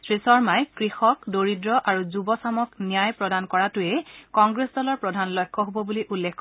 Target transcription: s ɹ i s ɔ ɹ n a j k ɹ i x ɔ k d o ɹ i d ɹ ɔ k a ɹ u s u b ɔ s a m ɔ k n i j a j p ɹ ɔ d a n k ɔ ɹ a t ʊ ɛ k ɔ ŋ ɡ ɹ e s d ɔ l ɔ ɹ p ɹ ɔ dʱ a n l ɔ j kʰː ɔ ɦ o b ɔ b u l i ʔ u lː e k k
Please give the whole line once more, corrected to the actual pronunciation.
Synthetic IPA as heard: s ɹ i s ɔ ɹ m a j k ɹ i x ɔ k d o ɹ i d ɹ ɔ ʔ a ɹ u z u b ɔ s a m ɔ k n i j a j p ɹ ɔ d a n k ɔ ɹ a t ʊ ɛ k ɔ ŋ ɡ ɹ e s d ɔ l ɔ ɹ p ɹ ɔ dʱ a n l ɔ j kʰː ɔ ɦ o b ɔ b u l i ʔ u lː e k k